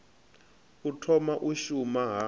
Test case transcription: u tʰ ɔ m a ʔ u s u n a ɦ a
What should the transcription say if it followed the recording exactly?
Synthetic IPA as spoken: u tʰ ɔ m a ʔ u ʃ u m a ɦ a

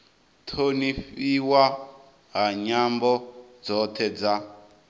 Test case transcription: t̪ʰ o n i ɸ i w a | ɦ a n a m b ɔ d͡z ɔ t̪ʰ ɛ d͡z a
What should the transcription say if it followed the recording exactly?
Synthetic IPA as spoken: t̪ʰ o n i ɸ i w a | ɦ a ɲ a m b ɔ d͡z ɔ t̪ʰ ɛ d͡z a

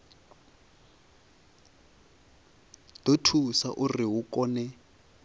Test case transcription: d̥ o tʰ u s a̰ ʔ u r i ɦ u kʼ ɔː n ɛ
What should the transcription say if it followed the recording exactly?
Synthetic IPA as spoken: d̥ o tʰ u s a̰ ʔ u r i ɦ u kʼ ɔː n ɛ

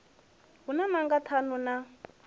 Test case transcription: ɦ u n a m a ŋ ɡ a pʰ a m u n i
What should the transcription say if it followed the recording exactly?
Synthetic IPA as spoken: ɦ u n a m a ŋ ɡ a tʰ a n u n a

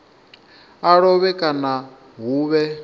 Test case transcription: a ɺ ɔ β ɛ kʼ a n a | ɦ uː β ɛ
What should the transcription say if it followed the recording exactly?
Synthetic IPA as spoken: a ɺ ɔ β ɛ kʼ a n a | ɦ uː β ɛ

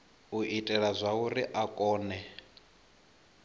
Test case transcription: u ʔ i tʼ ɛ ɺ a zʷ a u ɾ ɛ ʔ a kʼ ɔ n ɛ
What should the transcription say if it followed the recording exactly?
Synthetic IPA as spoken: u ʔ i tʼ ɛ ɺ a zʷ a u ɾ i ʔ a kʼ ɔː n ɛ

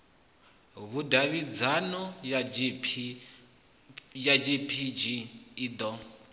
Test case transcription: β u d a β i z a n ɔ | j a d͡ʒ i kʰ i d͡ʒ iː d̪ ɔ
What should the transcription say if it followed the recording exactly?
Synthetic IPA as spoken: β u d a β i d͡z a n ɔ | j a d͡ʒ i pʰ i d͡ʒ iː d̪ ɔ

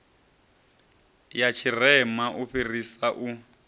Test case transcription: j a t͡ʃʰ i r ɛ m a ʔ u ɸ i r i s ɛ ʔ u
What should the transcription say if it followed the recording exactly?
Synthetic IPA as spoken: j a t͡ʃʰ i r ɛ m a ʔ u ɸ i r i s a ʔ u

